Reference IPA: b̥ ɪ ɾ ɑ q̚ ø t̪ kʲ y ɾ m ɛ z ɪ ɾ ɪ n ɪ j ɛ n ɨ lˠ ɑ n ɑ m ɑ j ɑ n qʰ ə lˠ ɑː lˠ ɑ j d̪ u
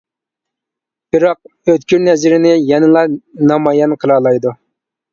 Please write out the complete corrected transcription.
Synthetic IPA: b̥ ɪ ɾ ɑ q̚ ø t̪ kʲ y ɾ n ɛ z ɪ ɾ ɪ n ɪ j ɛ n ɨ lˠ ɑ n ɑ m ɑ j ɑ n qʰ ə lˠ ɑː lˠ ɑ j d̪ u